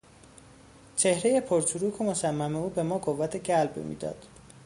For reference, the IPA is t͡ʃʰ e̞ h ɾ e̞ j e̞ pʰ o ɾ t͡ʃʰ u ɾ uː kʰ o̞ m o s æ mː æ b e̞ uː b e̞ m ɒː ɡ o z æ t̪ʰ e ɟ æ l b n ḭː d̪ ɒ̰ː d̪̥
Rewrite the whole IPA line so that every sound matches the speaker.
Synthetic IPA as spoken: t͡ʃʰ e̞ h ɾ e̞ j e̞ pʰ o ɾ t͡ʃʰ u ɾ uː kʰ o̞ m o s æ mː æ m e̞ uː b e̞ m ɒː ɡ o v æ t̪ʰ e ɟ æ l b m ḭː d̪ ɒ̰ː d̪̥